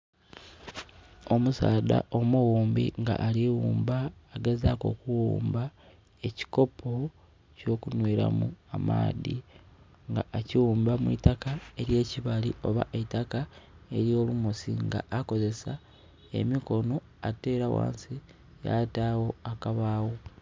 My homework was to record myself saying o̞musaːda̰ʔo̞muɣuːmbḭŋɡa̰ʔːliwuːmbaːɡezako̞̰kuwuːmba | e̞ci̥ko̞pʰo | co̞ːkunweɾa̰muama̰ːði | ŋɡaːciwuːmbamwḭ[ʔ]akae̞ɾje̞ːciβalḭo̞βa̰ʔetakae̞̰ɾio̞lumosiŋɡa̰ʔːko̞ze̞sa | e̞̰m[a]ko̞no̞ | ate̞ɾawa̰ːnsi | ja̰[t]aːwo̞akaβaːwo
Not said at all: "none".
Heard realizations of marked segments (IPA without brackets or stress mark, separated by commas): t, i, t